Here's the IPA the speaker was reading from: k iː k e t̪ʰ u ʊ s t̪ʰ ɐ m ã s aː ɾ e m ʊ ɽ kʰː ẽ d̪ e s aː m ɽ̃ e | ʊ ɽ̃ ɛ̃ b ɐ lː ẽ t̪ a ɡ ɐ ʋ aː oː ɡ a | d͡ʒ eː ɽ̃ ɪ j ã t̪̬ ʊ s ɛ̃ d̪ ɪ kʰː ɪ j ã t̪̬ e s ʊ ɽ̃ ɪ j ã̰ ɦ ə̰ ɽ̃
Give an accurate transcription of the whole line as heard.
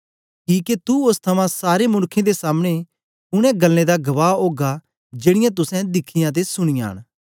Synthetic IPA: k iː k e t̪ u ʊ s t̪ʰ ɐ m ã s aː ɾ e m ʊ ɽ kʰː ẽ d̪ e s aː m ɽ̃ e | ʊ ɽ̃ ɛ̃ ɡ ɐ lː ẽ d̪ a ɡ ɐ ʋ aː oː ɡ a | d͡ʒ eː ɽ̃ ɪ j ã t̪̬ ʊ s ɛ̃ d̪ ɪ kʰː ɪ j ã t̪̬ e s ʊ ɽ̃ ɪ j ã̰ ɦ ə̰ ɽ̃